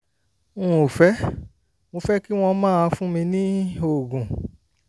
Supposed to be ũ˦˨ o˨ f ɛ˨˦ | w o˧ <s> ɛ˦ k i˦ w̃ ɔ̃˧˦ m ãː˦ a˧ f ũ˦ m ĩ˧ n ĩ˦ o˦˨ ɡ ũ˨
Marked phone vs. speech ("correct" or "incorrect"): incorrect